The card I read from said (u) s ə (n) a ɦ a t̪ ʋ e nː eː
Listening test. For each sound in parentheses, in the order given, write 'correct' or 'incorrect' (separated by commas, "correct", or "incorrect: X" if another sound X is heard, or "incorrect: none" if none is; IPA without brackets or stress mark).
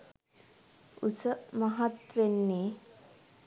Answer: correct, incorrect: m